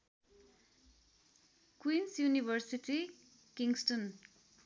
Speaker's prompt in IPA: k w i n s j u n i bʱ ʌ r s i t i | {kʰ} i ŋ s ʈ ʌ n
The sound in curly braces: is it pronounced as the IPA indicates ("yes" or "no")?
no